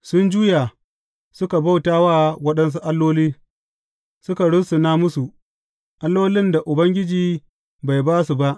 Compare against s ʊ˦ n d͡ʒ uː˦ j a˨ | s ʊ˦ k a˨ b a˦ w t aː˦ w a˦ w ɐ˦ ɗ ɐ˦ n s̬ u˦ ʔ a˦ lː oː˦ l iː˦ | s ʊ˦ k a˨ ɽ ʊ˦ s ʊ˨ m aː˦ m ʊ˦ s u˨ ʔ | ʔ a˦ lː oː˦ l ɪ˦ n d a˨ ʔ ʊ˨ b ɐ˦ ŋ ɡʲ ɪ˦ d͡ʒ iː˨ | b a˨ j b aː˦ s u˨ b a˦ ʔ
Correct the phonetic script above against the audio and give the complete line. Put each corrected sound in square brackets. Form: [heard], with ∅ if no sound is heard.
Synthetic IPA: s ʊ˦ n d͡ʒ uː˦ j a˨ | s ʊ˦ k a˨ b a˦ w t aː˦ w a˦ w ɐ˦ ɗ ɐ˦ n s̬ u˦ ʔ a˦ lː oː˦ l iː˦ | s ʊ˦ k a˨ ɽ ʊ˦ s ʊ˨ [n] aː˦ m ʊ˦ s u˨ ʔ | ʔ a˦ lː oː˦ l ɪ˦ n d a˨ ʔ ʊ˨ b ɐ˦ ŋ ɡʲ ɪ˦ d͡ʒ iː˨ | b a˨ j b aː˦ s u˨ b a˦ ʔ